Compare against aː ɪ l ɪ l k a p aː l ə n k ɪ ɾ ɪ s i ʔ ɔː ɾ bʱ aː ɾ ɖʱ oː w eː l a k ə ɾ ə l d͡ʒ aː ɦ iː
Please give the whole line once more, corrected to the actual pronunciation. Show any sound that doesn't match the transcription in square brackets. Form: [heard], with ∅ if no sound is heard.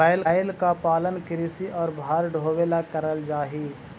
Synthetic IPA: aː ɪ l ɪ l k a p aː l ə n k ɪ ɾ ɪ s i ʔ ɔː ɾ bʱ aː ɾ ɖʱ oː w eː l a k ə ɾ ə l d͡ʒ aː ɦ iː